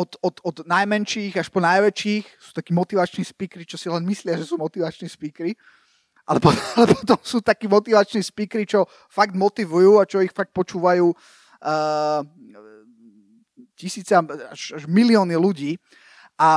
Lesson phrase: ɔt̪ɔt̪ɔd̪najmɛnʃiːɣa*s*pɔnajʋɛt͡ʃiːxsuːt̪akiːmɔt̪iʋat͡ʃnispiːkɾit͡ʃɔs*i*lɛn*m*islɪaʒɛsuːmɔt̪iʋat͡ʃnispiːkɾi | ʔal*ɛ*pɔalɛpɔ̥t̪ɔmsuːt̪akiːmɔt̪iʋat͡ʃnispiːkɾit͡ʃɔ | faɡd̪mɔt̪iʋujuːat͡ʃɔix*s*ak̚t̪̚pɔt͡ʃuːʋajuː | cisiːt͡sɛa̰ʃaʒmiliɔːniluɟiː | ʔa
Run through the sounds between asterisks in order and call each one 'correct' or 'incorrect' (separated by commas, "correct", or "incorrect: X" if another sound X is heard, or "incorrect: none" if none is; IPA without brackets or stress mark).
incorrect: ʃ, correct, correct, correct, incorrect: f